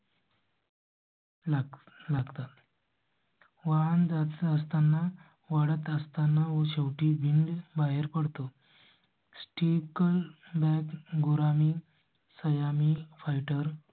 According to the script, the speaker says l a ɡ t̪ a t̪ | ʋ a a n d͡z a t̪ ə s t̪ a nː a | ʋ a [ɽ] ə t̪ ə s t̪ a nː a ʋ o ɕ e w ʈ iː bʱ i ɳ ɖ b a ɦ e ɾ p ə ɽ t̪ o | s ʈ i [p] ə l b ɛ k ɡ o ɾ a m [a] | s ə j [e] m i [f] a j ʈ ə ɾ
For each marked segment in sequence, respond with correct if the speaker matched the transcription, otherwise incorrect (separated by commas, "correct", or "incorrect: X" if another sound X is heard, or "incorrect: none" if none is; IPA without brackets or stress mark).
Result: correct, incorrect: k, incorrect: i, incorrect: a, correct